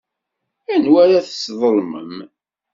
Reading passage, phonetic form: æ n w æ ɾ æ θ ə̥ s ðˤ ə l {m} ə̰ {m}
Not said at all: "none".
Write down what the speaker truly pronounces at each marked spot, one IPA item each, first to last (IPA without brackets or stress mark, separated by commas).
m, m